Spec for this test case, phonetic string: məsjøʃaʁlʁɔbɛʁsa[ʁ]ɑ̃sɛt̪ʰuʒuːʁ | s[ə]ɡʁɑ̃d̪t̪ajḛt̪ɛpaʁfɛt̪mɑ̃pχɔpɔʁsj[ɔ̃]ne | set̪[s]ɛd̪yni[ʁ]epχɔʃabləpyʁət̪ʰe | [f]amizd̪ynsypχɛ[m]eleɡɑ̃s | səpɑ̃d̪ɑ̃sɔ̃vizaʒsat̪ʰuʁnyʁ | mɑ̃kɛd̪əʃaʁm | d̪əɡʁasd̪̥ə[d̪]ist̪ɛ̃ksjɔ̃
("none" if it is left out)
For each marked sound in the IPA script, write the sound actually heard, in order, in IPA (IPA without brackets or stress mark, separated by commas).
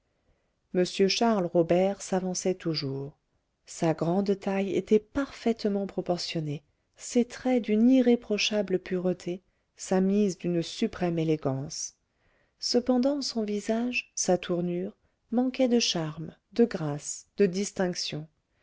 v, a, ɔ, χ, ʁ, s, m, d̪